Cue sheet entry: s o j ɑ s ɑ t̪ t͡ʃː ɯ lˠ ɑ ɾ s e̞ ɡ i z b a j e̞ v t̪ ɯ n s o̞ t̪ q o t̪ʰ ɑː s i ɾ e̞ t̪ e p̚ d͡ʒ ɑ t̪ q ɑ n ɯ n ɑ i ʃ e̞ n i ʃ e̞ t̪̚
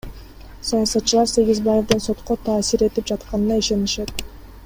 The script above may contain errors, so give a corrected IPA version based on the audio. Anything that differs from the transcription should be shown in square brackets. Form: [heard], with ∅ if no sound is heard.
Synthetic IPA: s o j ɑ s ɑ t̪ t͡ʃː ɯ lˠ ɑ ɾ s e̞ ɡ i z b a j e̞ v [d̪] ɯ n s o̞ t̪ q o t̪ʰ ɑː s i ɾ e̞ t̪ [i] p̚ d͡ʒ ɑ t̪ q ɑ n ɯ n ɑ i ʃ e̞ n i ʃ e̞ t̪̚